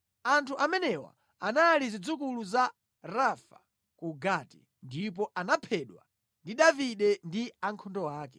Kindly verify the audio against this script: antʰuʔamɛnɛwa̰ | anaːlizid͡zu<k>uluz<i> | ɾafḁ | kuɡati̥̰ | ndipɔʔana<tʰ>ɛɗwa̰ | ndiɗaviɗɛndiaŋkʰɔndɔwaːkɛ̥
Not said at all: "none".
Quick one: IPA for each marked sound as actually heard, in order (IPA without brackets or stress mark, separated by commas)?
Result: k, a, pʰ